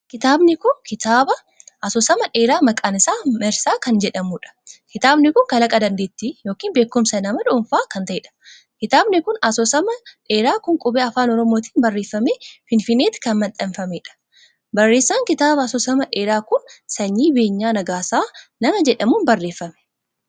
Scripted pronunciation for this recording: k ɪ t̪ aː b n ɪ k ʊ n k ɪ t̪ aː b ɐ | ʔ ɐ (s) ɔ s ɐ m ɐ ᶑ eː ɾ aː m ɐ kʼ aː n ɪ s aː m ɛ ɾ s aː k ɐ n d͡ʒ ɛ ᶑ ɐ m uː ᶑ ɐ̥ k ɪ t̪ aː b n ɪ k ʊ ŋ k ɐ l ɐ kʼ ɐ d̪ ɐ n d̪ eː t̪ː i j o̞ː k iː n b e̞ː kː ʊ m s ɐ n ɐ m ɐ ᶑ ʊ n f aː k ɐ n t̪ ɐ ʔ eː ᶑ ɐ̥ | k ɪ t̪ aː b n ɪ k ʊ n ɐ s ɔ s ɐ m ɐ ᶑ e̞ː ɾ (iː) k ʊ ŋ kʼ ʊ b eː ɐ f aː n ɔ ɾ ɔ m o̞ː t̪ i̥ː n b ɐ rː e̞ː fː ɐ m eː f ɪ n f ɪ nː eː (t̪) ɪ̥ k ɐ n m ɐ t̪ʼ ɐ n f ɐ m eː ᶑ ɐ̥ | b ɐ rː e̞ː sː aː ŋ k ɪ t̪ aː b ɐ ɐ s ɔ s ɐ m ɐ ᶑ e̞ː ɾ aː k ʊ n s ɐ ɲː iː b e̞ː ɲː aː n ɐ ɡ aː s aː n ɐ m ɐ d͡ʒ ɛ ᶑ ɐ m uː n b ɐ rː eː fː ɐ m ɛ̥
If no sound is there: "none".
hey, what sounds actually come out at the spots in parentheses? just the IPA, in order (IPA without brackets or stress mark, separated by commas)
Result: s, aː, t̪